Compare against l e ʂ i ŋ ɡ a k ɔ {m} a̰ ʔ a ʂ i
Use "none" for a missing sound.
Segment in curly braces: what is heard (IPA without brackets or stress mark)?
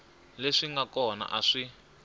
n